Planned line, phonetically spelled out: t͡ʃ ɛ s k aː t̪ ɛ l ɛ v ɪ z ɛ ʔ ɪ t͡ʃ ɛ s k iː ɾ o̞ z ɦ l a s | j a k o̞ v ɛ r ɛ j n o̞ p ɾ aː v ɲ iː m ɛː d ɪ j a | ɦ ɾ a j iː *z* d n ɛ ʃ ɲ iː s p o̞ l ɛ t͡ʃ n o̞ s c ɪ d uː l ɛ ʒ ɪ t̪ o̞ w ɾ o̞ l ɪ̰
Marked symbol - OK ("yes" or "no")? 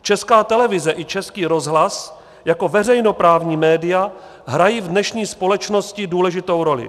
no